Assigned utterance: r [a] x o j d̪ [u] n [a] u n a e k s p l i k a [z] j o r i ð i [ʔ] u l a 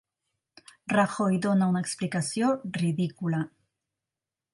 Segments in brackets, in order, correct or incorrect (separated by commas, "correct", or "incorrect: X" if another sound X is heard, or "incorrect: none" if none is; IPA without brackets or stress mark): correct, incorrect: o, correct, incorrect: s, incorrect: k